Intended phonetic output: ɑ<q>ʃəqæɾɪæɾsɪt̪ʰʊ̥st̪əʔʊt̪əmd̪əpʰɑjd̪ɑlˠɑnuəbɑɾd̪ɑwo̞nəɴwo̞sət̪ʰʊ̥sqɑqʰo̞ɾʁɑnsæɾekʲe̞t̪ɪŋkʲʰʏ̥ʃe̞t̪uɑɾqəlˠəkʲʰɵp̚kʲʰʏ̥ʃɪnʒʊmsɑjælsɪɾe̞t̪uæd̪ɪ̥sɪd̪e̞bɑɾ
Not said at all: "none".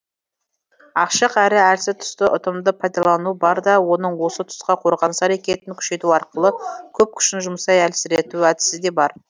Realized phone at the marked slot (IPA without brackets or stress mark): q